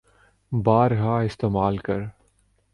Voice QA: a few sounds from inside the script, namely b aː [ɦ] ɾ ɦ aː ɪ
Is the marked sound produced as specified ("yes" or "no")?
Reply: no